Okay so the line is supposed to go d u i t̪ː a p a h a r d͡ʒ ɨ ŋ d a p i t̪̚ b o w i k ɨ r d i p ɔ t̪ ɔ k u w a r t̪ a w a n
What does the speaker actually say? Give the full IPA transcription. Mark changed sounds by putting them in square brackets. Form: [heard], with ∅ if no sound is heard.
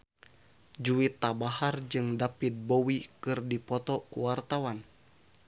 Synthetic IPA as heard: [d͡ʒ] u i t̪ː a [b] a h a r d͡ʒ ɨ ŋ d a p i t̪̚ b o w i k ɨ r d i p ɔ t̪ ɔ k u w a r t̪ a w a n